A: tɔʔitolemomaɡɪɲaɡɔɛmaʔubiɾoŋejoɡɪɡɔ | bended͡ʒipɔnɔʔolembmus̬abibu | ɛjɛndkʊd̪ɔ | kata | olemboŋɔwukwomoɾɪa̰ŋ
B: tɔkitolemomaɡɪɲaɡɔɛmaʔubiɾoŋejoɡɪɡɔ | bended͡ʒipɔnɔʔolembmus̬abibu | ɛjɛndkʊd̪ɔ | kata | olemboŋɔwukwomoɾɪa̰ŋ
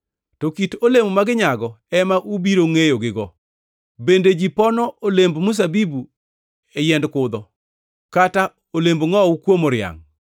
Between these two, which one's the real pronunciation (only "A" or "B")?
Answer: B